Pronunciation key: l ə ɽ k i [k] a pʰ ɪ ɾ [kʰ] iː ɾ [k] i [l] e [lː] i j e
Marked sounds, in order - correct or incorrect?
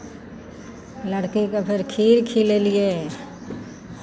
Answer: correct, correct, incorrect, correct, incorrect

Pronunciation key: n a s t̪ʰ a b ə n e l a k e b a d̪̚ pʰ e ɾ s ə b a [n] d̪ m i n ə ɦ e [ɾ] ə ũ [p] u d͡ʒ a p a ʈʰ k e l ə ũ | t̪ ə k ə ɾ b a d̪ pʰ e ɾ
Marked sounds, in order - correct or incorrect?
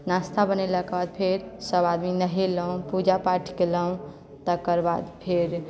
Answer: incorrect, incorrect, correct

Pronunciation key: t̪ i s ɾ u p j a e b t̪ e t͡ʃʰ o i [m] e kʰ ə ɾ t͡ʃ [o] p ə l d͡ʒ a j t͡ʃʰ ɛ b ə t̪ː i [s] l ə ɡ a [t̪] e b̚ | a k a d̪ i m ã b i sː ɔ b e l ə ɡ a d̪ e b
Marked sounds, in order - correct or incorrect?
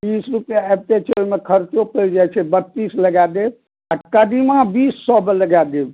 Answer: correct, correct, correct, incorrect

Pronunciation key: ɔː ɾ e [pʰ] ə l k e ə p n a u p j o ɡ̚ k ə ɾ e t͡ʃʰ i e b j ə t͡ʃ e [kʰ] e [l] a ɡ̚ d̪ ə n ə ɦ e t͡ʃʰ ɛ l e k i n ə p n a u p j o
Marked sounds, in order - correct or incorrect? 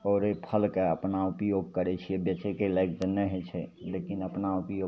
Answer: correct, incorrect, correct

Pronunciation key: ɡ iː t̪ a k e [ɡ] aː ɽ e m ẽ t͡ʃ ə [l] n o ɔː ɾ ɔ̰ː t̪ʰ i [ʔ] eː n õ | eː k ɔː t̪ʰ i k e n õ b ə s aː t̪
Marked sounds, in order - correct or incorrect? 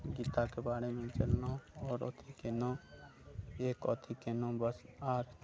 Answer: incorrect, correct, incorrect

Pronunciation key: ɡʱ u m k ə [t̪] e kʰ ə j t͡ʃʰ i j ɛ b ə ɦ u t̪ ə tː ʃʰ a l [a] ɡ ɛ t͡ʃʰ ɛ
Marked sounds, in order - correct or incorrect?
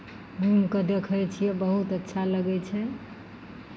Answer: incorrect, incorrect

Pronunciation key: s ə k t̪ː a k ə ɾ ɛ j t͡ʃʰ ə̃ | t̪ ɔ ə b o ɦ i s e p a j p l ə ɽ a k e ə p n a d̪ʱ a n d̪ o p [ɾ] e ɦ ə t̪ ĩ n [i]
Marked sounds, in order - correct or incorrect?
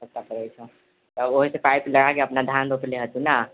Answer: incorrect, incorrect

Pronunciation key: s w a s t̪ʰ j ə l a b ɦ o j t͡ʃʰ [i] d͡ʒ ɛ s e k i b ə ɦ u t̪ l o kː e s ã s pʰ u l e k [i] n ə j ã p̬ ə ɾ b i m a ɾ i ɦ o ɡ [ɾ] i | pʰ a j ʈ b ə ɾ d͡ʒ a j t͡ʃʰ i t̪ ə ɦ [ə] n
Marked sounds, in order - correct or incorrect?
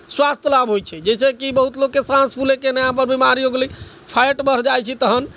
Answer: incorrect, incorrect, incorrect, correct

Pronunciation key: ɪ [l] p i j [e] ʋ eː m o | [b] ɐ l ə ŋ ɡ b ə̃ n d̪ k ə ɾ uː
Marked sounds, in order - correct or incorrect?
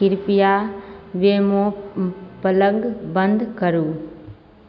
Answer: incorrect, incorrect, incorrect

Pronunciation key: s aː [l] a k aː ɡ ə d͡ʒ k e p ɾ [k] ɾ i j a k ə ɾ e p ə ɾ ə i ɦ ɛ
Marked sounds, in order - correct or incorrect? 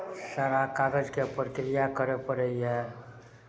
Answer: incorrect, correct

